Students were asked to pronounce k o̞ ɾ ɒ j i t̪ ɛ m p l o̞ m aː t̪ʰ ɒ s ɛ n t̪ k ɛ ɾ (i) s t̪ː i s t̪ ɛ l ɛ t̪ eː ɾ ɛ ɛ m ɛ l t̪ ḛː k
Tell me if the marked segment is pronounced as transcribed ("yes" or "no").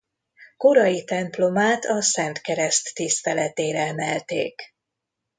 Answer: no